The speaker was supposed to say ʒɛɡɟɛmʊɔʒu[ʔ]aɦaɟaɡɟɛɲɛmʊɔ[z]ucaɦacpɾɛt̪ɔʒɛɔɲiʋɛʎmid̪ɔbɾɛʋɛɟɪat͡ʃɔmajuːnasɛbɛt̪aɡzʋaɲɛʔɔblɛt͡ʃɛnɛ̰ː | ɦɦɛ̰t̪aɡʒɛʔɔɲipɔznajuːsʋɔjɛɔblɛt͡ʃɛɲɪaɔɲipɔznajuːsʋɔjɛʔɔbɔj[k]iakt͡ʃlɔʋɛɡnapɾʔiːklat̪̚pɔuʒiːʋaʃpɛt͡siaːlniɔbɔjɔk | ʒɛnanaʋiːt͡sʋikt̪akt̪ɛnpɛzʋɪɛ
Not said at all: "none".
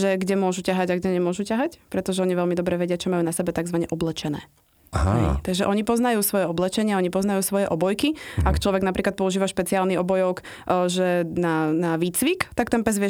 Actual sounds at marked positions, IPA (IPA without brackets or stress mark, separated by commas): c, ʒ, k